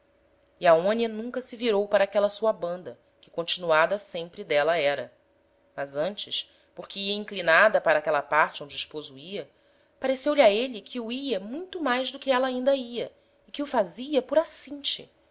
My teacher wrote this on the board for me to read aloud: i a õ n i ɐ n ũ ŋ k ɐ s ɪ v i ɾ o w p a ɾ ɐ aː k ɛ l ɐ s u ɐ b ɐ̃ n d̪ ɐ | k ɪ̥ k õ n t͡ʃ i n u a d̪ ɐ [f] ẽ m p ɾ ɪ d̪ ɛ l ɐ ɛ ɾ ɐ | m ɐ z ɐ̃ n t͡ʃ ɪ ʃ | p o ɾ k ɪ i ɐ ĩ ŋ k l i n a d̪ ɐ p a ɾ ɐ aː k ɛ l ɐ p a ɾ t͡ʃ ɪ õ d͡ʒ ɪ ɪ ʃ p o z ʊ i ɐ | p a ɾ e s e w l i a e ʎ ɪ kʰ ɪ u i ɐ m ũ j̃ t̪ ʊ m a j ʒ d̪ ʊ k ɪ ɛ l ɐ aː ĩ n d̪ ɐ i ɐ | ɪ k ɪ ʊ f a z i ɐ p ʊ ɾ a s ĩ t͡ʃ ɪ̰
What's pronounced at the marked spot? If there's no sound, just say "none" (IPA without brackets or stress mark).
s